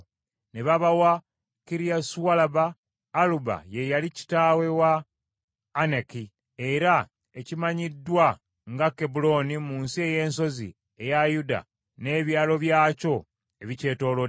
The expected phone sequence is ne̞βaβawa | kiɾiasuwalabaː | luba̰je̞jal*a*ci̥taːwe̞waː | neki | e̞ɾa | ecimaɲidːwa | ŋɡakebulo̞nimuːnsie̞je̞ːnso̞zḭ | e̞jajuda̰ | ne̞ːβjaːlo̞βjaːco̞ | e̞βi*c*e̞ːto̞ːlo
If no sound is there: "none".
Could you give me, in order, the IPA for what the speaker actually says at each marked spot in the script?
i, c

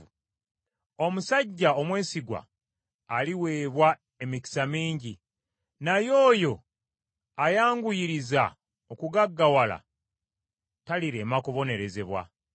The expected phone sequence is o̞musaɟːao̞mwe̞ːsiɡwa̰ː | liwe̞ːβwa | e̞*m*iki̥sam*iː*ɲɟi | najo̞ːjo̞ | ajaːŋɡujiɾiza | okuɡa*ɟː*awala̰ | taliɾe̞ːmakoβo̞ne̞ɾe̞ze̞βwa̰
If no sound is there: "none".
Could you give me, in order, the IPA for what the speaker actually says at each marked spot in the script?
m, iː, ɡː

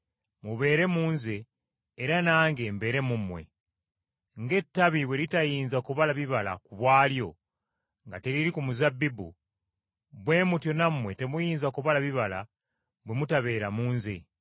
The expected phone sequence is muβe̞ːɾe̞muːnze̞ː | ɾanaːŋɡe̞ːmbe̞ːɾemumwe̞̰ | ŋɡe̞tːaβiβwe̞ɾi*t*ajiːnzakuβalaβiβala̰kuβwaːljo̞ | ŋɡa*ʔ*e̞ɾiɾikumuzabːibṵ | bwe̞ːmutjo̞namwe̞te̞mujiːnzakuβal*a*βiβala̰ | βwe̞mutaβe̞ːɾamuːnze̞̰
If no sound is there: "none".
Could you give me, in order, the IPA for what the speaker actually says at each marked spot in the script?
t, t, a

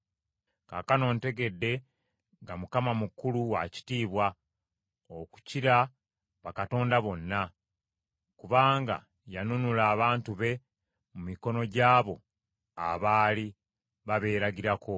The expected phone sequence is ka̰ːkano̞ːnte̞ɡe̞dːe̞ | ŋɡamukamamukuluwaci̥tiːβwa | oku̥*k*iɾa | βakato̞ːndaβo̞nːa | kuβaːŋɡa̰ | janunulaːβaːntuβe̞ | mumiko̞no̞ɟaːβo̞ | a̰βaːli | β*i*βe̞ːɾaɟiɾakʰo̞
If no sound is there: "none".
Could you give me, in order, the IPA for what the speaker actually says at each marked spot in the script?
c, a

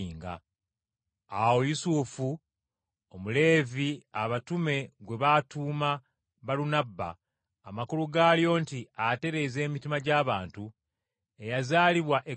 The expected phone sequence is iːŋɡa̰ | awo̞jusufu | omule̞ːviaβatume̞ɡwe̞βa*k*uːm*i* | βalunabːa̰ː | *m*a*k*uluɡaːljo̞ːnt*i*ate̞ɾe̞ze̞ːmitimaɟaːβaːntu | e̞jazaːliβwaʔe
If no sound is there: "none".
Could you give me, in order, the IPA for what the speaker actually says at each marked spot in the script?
t, a, m, k, i

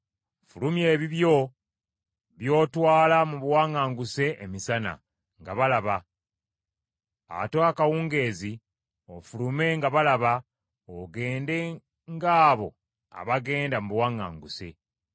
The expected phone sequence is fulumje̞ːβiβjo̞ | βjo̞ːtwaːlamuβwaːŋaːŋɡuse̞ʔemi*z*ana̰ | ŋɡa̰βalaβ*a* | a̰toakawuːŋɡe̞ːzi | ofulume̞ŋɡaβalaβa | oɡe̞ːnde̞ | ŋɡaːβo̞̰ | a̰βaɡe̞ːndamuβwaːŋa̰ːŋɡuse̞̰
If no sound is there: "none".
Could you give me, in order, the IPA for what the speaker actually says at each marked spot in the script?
s, a

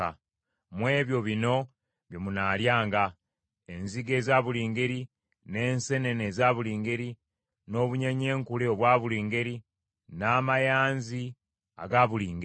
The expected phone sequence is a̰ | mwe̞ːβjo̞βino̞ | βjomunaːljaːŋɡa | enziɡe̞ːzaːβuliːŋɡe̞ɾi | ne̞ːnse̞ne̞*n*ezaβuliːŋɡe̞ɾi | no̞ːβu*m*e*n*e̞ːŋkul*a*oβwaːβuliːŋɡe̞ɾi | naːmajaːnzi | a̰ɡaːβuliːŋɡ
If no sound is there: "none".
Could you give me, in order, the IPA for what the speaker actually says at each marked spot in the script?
n, ɲ, ɲ, e

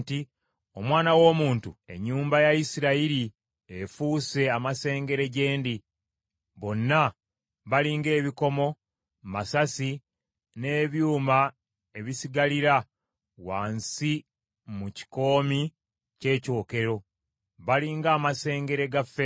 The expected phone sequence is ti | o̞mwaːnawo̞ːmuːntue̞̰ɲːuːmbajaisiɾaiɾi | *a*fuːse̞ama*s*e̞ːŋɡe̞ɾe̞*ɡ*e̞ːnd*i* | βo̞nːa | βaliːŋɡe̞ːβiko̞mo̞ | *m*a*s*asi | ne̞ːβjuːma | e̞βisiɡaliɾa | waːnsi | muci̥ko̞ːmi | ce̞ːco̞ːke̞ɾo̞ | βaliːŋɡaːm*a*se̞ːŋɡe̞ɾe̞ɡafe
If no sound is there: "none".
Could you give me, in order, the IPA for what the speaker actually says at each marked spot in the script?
e, s, ɟ, i, m, s, a

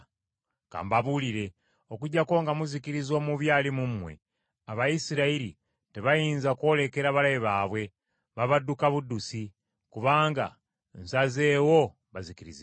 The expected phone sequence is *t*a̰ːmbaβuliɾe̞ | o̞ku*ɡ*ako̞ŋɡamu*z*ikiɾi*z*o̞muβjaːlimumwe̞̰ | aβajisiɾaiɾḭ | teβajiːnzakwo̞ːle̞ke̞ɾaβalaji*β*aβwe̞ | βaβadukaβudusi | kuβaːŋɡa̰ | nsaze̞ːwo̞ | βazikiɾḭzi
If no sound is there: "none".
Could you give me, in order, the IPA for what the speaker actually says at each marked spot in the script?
k, ɟ, z, z, β

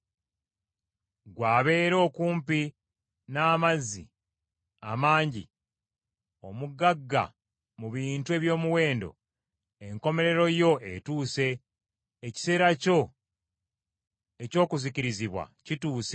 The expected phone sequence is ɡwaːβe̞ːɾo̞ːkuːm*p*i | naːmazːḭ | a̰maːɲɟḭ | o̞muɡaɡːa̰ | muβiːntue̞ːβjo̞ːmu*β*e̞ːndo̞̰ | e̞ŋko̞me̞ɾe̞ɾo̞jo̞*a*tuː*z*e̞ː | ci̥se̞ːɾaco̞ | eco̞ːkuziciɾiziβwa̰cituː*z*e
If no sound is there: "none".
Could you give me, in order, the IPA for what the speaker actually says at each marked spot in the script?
p, w, e, s, s

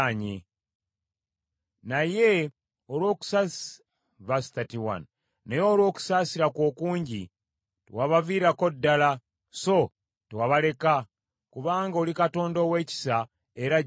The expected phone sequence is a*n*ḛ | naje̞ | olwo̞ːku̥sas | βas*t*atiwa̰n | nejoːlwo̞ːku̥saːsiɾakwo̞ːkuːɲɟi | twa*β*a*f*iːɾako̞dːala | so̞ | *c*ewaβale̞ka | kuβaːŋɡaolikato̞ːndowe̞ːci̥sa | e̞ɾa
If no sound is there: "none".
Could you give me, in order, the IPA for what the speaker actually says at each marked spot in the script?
ɲ, t, β, v, t

